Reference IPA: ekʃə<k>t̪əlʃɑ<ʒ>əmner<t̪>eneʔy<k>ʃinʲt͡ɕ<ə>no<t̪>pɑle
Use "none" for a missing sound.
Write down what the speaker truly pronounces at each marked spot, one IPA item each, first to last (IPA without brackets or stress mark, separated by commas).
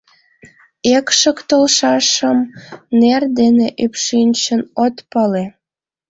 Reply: k, ʃ, d̪, p, ə, t̪